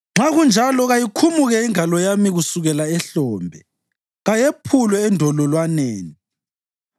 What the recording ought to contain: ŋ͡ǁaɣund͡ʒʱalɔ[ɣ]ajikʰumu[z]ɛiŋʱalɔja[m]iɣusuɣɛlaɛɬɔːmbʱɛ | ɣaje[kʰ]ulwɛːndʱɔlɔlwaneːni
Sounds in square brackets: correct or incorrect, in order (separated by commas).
correct, incorrect, correct, incorrect